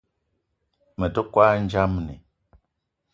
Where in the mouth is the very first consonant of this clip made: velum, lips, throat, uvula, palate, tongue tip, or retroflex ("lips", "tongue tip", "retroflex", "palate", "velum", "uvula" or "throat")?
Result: lips